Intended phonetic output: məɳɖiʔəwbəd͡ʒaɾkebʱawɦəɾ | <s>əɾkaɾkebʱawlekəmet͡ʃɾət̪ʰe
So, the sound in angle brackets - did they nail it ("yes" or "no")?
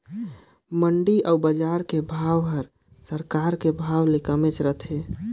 yes